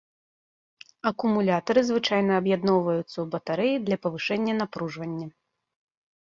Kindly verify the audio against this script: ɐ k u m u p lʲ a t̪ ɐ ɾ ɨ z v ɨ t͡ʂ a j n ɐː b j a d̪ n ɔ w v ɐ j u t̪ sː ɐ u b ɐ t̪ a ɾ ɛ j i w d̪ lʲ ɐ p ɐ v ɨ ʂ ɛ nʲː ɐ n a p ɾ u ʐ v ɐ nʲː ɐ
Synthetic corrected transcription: ɐ k u m u lʲ a t̪ ɐ ɾ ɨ z v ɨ t͡ʂ a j n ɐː b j a d̪ n ɔ w v ɐ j u t̪ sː ɐ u b ɐ t̪ a ɾ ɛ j i d̪ lʲ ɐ p ɐ v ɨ ʂ ɛ nʲː ɐ n a p ɾ u ʐ v ɐ nʲː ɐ